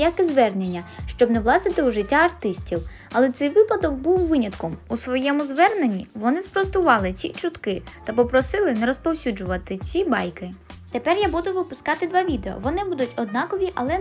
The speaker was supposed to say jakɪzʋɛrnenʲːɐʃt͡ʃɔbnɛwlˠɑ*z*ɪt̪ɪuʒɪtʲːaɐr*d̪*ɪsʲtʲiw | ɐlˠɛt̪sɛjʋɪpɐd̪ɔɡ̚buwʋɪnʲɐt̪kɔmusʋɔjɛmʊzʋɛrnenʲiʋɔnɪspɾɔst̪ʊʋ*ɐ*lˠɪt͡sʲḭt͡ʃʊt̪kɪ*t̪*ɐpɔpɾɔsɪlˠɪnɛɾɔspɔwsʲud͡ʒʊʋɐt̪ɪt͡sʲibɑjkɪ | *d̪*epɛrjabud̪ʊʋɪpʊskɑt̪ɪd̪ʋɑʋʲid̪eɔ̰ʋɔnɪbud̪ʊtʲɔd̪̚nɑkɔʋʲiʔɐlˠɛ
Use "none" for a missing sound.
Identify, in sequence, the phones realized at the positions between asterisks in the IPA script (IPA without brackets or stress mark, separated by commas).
s, t̪, ɑ, t̪, t̪